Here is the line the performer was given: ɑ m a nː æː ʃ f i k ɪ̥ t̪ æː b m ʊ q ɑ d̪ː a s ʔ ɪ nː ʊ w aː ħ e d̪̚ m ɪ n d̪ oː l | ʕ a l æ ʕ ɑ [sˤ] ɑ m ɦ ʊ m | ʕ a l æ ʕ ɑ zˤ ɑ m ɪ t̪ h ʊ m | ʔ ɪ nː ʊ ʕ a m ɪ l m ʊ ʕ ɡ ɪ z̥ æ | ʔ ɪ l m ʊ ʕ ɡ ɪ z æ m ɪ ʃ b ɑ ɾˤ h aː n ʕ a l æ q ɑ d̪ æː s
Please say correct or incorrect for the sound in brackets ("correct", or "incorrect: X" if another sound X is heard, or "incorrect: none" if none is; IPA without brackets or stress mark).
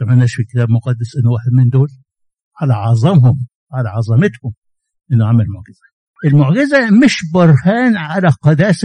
incorrect: zˤ